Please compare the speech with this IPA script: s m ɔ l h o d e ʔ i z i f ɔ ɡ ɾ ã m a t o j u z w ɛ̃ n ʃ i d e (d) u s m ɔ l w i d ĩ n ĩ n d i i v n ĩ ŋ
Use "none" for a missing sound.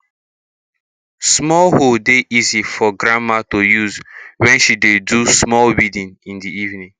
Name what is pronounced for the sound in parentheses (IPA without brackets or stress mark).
d